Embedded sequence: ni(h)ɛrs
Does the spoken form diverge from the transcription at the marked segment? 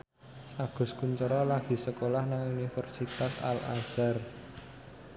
yes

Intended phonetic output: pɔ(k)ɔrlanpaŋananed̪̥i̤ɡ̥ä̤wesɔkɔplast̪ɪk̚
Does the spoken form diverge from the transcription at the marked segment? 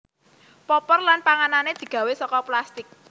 yes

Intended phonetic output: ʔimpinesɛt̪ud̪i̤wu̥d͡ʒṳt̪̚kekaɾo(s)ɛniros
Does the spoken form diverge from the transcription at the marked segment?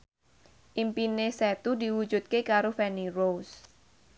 yes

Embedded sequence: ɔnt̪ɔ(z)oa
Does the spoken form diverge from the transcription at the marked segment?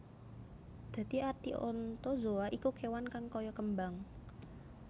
no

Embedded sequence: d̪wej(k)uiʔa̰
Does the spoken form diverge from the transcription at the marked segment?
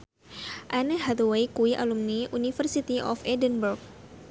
no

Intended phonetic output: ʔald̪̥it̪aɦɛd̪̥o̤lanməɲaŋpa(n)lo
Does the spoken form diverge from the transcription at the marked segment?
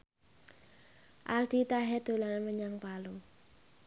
yes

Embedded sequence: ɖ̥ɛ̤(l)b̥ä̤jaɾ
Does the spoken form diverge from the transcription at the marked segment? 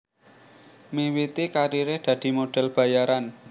no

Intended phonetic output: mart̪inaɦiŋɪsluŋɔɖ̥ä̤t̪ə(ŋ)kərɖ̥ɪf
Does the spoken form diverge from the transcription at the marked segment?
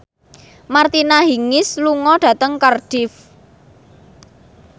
no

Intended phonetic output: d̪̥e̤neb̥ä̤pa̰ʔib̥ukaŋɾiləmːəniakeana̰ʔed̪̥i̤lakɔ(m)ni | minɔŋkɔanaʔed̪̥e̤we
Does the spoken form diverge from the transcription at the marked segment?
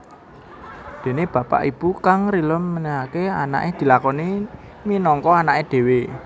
yes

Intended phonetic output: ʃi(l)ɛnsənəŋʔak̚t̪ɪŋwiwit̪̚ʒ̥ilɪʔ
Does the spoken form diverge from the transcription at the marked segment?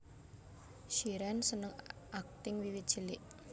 yes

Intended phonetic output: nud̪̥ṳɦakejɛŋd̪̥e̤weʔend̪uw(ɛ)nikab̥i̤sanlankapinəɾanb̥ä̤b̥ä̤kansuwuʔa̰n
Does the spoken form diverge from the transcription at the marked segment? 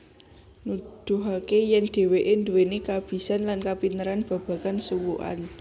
yes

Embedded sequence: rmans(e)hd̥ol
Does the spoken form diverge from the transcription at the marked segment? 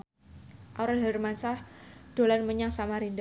yes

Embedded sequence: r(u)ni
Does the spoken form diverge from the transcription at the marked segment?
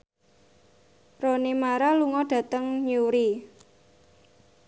yes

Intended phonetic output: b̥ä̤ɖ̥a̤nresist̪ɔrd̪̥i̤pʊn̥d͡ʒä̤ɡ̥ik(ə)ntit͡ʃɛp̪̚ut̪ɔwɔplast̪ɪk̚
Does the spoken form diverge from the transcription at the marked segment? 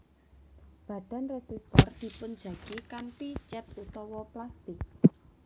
yes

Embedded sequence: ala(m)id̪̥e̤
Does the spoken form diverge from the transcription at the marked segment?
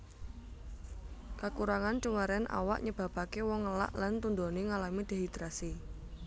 no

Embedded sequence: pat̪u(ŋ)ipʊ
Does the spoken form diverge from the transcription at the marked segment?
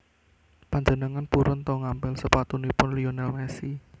yes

